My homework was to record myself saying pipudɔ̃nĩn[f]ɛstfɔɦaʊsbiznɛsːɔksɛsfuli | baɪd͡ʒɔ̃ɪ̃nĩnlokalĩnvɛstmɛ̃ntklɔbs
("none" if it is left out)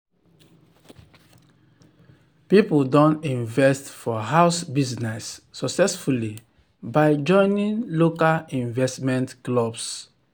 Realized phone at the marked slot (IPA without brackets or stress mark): v